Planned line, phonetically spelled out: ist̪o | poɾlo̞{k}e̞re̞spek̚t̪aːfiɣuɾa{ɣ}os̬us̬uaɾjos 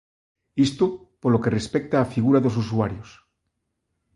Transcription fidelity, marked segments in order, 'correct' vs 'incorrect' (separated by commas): correct, incorrect